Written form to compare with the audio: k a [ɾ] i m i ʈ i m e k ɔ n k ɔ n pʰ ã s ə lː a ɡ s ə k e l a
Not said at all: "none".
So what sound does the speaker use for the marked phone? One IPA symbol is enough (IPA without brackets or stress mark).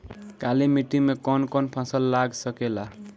l